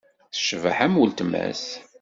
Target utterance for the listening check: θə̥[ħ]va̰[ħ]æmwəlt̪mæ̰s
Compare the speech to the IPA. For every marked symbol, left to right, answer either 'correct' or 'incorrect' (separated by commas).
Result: incorrect, correct